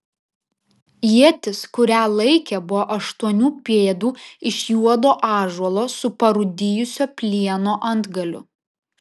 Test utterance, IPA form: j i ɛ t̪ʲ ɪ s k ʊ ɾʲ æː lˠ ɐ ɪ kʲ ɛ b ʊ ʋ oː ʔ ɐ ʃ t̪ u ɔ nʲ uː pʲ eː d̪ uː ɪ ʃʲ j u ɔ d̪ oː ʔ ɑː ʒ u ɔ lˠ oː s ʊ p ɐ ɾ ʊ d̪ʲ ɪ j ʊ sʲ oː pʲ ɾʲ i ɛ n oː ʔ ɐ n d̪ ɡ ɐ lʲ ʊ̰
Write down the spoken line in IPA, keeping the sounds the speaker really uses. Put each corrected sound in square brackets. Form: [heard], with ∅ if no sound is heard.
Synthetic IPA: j i ɛ t̪ʲ ɪ s k ʊ ɾʲ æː lˠ ɐ ɪ kʲ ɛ b ʊ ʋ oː ʔ ɐ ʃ t̪ u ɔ nʲ uː pʲ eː d̪ uː ɪ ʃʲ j u ɔ d̪ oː ʔ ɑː ʒ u ɔ lˠ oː s ʊ p ɐ ɾ ʊ d̪ʲ ɪ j ʊ sʲ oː pʲ [lʲ] i ɛ n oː ʔ ɐ n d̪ ɡ ɐ lʲ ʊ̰